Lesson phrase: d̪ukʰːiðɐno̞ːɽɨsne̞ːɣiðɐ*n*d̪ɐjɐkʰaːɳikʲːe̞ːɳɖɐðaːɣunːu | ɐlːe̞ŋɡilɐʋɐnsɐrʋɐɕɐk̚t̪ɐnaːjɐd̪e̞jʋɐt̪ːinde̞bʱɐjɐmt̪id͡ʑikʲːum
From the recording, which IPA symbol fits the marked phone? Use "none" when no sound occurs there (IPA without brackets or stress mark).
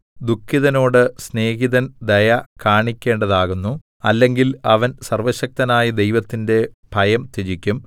n